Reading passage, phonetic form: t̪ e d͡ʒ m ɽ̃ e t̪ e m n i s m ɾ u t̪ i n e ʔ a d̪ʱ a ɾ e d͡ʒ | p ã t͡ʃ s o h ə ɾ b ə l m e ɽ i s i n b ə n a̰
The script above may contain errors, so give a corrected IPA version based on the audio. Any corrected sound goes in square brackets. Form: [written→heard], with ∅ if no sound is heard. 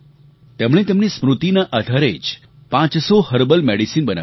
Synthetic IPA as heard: t̪ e [d͡ʒ→∅] m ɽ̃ e t̪ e m n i s m ɾ u t̪ i n [e→a] ʔ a d̪ʱ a ɾ e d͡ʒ | p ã t͡ʃ s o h ə ɾ b ə l m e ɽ i s i n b ə n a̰